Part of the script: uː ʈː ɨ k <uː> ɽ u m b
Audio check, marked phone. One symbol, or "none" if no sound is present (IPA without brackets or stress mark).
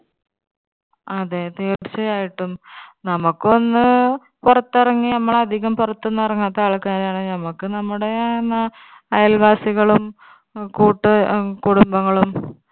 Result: u